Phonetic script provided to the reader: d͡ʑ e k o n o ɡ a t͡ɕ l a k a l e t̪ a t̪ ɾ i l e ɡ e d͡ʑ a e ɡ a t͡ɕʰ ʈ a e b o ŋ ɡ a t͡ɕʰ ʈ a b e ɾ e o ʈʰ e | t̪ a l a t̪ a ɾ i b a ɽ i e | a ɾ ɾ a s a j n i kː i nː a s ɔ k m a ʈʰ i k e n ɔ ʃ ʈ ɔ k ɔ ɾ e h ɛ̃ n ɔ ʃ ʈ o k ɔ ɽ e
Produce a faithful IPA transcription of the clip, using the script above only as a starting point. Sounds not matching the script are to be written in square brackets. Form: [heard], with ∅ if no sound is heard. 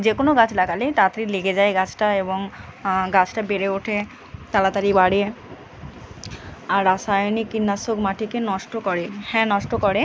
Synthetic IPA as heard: d͡ʑ e k o n o ɡ a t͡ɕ l a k a l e t̪ a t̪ ɾ i l e ɡ e d͡ʑ a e ɡ a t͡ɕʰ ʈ a e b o ŋ ɡ a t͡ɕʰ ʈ a b e ɾ e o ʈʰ e | t̪ a l a t̪ a ɾ i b a ɽ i e | a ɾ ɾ a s a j n i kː i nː a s [o] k m a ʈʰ i k e n ɔ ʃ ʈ [o] k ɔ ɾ e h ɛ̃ n ɔ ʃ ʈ o k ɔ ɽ e